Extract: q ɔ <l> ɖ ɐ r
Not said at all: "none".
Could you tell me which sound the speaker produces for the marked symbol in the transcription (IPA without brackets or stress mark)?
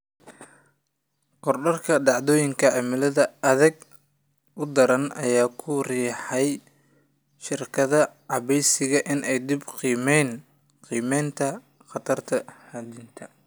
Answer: r